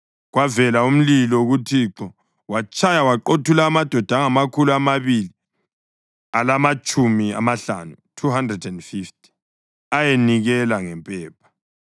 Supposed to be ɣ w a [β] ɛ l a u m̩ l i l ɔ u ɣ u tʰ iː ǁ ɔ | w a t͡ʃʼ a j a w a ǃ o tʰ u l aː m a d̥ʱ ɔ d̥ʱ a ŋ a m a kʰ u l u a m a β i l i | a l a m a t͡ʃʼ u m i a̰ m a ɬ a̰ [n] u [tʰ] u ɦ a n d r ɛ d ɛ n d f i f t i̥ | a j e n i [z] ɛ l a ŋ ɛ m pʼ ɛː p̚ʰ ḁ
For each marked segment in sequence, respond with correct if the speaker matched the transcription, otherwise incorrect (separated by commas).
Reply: incorrect, correct, correct, incorrect